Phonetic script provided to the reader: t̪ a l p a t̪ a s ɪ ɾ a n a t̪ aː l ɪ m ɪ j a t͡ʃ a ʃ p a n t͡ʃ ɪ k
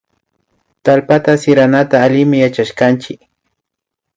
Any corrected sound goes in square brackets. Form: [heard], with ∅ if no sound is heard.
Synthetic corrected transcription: t̪ a l p a t̪ a s ɪ ɾ a n a t̪ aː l ɪ m ɪ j a t͡ʃ a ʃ [k] a n t͡ʃ ɪ k

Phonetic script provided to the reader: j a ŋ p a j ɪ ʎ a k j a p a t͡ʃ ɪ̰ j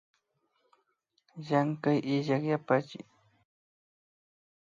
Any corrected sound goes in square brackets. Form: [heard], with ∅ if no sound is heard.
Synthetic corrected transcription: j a ŋ [k] a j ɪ ʎ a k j a p a t͡ʃ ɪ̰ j

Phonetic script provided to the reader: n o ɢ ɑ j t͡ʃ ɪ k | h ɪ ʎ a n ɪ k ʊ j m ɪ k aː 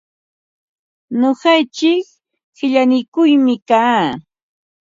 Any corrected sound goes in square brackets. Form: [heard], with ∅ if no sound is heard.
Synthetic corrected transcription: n o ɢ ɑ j t͡ʃ ɪ k | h ɪ ʎ a n ɪ k ʊ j m ɪ k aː

